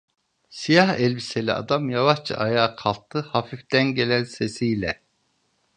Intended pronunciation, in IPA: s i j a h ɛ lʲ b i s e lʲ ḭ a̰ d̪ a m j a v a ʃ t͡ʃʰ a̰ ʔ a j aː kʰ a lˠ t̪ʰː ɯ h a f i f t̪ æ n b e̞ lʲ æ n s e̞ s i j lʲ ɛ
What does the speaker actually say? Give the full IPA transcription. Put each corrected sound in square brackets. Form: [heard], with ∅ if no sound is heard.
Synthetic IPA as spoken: s i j a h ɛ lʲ b i s e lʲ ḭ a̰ d̪ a m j a v a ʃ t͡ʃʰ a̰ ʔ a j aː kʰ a lˠ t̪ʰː ɯ h a f i f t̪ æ n [ɟ] e̞ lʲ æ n s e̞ s i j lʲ ɛ